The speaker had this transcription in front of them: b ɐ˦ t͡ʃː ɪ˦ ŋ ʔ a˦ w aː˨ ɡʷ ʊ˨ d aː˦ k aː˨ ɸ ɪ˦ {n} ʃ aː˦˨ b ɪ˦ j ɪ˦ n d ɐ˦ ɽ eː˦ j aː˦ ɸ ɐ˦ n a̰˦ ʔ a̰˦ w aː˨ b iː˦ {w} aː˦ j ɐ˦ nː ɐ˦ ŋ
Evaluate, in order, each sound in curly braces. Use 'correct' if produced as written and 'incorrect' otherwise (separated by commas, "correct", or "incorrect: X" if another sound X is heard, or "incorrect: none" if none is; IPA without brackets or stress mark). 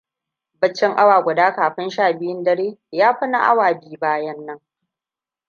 correct, incorrect: b